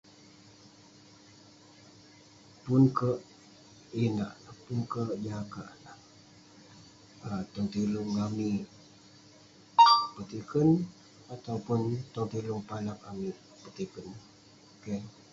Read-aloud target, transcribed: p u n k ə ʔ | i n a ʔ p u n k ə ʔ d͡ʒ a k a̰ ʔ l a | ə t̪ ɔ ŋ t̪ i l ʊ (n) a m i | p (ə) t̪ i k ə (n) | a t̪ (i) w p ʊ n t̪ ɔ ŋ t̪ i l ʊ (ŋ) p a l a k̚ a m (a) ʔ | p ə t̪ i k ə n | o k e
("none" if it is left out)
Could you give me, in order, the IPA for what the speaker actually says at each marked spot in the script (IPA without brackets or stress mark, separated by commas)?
ŋ, ə, n, a, ŋ, i